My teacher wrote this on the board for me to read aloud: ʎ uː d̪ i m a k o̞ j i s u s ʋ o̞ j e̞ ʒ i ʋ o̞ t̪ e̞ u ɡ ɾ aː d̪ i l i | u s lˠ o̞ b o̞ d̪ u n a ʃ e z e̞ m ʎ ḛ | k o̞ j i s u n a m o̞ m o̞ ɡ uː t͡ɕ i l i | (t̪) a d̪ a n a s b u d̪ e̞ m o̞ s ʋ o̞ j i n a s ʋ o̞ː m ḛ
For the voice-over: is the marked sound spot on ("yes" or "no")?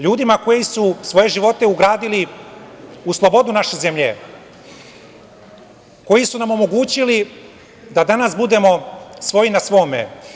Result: no